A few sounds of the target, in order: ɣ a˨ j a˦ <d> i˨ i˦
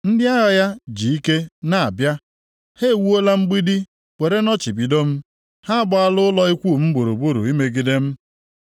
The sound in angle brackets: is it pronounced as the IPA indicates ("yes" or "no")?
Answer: no